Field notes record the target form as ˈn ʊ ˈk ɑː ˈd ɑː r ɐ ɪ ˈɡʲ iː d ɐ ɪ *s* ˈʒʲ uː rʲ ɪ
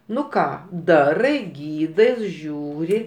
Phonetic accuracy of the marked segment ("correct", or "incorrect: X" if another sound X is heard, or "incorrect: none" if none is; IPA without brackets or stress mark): correct